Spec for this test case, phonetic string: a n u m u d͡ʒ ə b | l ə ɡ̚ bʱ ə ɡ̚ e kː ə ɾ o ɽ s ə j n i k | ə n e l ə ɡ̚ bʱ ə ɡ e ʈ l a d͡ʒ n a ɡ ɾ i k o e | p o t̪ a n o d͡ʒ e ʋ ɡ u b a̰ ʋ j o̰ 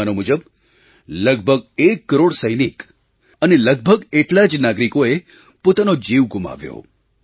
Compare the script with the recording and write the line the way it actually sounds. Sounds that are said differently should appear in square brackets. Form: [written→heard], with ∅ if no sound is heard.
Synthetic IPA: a n [u→o] m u d͡ʒ ə b | l ə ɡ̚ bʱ ə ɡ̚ e kː ə ɾ o ɽ s ə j n i k | ə n e l ə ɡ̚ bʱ ə ɡ e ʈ l a d͡ʒ n a ɡ ɾ i k o e | p o t̪ a n o d͡ʒ [e→i] ʋ ɡ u [b→m] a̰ ʋ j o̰